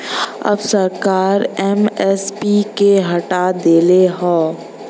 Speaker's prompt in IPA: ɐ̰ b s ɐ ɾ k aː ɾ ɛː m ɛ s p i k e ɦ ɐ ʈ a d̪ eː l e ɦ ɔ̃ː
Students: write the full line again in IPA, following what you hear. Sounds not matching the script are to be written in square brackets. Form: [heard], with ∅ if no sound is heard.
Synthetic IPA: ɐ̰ b s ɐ ɾ k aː ɾ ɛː m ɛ s p i k e ɦ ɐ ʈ a d̪ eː l e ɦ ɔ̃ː